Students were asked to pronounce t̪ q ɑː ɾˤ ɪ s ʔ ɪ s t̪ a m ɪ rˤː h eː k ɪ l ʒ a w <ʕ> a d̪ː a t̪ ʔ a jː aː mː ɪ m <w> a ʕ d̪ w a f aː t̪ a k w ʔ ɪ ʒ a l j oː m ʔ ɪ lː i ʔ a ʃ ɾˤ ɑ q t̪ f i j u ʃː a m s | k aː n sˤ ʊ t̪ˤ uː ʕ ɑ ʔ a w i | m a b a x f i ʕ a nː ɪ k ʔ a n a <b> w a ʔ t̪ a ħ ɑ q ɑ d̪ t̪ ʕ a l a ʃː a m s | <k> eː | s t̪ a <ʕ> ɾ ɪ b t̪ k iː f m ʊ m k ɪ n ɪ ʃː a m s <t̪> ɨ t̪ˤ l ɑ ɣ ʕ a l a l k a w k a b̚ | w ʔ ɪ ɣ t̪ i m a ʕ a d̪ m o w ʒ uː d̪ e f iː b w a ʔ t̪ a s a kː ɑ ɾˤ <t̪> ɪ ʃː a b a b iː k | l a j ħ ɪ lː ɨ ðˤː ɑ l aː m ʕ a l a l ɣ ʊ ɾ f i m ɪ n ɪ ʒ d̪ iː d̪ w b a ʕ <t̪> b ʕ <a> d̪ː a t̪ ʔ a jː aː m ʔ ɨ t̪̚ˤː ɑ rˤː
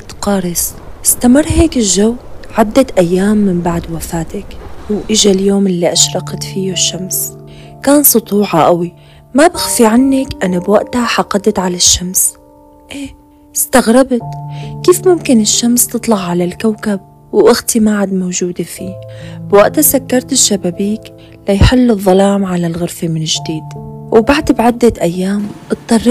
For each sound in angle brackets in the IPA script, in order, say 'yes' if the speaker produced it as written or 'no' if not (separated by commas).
yes, no, yes, no, no, yes, yes, no, yes